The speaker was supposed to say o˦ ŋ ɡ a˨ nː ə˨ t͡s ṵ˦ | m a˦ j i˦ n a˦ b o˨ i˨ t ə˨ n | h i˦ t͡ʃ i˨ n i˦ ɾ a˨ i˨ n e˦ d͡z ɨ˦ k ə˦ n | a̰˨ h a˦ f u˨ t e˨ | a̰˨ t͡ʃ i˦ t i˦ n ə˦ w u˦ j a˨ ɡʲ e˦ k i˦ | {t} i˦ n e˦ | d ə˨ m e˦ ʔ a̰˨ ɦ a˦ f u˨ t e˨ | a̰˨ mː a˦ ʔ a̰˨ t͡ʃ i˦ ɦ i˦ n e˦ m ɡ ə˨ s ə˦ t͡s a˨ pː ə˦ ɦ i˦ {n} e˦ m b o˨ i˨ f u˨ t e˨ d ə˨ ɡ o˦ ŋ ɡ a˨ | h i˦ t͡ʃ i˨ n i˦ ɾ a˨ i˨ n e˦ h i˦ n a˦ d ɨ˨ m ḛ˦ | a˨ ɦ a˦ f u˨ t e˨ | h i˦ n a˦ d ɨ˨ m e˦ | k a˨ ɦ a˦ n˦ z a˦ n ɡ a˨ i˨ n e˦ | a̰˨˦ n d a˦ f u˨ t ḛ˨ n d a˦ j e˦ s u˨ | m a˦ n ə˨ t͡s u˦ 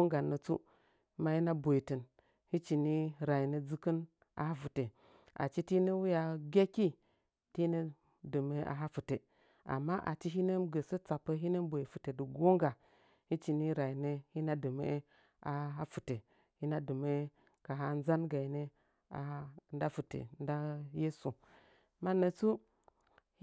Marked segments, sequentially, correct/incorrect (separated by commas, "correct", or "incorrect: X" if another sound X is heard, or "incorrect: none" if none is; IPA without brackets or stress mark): correct, correct